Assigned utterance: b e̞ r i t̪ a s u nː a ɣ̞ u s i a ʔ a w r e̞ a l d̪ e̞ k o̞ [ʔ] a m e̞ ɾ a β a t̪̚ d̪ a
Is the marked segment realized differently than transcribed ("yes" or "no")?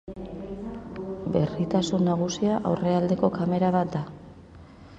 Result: yes